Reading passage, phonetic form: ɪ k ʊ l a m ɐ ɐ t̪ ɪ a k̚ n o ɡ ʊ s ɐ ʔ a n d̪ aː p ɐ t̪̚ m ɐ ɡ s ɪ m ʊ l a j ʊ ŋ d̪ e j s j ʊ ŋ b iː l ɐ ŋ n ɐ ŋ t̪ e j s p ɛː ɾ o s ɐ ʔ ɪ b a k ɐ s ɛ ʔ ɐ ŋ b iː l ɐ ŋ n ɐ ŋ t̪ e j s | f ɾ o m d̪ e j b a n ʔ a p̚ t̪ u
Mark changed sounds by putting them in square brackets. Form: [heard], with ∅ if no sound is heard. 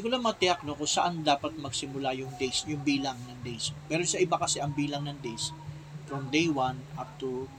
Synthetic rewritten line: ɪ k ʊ l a m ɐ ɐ t̪ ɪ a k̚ n o [k] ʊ s ɐ ʔ a n d̪ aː p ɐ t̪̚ m ɐ ɡ s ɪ m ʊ l a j ʊ ŋ d̪ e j s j ʊ ŋ b iː l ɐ ŋ n ɐ ŋ [d̪] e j s p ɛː ɾ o s ɐ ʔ ɪ b a k ɐ s ɛ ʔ ɐ ŋ b iː l ɐ ŋ n ɐ ŋ [d̪] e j s | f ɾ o m d̪ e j [w] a n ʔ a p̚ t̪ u